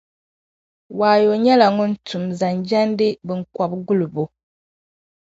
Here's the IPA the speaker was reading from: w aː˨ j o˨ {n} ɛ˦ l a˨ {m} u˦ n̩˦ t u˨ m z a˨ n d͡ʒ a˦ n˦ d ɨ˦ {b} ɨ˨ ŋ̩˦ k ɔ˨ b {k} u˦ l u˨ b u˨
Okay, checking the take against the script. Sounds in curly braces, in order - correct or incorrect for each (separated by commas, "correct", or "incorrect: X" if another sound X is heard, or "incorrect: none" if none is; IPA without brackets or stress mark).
incorrect: ɲ, incorrect: ŋ, correct, incorrect: ɡ